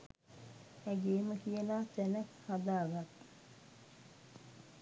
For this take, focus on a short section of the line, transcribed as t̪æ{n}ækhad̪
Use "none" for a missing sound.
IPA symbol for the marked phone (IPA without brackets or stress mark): n